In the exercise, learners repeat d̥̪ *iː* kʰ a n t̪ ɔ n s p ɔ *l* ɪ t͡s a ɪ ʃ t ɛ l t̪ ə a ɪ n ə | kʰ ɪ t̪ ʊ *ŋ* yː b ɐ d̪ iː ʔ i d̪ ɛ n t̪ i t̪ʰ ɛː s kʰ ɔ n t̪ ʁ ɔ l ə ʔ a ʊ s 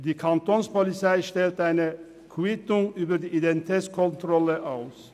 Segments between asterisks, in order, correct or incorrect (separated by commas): correct, correct, correct